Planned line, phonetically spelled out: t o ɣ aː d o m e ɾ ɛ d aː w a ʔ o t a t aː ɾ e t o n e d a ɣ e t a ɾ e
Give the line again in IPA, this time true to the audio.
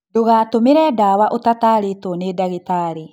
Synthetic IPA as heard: d o ɣ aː t o m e ɾ ɛ d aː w a ʔ o t a t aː ɾ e t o n e d a ɣ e t a ɾ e